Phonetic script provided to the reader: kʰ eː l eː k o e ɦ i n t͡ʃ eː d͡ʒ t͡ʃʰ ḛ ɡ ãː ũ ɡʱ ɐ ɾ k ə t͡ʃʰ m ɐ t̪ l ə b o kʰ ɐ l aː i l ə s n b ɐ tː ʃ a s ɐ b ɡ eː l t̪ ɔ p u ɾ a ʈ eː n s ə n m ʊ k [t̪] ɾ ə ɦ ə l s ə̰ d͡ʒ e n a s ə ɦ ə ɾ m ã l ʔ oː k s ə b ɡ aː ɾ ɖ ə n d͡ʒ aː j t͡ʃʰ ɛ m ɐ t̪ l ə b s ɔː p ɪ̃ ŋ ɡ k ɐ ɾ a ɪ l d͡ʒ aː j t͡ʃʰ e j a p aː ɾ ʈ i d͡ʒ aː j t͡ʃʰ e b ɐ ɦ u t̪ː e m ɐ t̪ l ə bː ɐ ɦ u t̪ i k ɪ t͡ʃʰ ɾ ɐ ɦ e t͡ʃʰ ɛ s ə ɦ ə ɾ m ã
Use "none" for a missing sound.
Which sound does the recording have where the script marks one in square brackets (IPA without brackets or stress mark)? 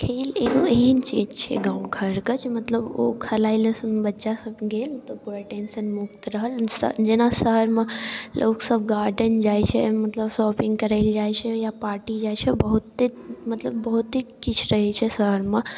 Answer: t̪